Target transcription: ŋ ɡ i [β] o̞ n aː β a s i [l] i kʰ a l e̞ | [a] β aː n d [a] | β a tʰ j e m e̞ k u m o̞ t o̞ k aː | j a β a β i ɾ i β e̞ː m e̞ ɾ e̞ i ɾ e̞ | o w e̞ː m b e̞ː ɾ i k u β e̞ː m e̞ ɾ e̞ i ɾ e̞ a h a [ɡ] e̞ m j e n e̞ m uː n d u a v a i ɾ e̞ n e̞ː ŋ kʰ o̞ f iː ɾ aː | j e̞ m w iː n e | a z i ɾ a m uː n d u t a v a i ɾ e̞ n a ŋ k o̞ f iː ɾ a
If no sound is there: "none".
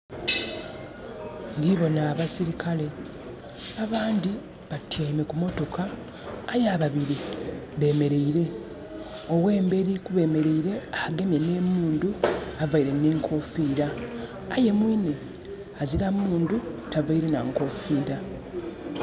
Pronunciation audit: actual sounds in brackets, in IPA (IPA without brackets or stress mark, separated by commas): β, ɾ, a, i, ɡ